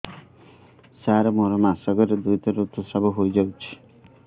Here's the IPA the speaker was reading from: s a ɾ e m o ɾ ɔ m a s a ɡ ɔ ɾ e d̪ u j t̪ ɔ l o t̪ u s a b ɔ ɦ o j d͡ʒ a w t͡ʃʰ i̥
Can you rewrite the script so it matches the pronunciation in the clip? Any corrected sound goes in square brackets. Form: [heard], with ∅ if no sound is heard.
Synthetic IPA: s a ɾ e m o ɾ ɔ m a s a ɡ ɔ ɾ e d̪ u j t̪ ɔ [ɾ] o t̪ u s a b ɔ ɦ o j d͡ʒ a w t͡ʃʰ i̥